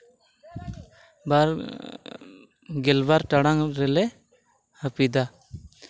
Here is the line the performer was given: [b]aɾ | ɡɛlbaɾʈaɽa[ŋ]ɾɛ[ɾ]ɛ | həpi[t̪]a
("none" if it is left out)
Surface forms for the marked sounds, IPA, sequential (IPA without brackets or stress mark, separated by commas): b, ŋ, l, d̪